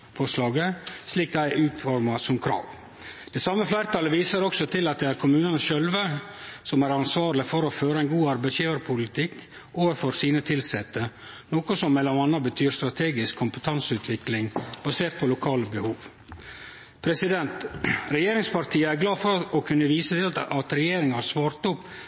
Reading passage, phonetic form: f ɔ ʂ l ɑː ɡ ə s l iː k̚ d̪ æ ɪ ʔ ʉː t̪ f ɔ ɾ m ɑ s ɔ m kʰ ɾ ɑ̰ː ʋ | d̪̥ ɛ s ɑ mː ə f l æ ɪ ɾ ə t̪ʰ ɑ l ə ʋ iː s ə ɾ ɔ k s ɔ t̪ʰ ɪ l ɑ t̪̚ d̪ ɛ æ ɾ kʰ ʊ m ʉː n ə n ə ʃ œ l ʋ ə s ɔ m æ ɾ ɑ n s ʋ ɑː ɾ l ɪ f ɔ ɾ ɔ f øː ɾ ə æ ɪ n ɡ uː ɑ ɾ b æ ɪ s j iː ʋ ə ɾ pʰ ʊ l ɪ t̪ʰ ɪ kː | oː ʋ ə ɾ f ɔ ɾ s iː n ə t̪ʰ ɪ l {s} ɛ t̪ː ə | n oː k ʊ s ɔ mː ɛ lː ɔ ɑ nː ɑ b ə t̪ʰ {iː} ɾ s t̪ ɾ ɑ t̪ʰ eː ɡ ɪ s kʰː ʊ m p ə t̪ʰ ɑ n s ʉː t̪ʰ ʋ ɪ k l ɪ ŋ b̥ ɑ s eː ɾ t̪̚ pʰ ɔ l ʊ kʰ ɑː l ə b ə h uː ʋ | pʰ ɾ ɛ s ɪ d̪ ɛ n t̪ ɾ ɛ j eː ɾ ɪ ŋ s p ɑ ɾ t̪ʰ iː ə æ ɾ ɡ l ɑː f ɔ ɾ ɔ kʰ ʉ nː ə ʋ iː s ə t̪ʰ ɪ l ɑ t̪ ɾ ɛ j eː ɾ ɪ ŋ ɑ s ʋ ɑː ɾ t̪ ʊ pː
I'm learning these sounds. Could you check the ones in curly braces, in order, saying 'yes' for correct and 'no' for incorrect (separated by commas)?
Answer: yes, no